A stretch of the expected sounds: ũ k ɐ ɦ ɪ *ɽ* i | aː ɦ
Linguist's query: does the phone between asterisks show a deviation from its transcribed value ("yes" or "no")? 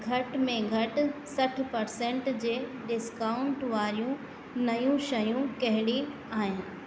no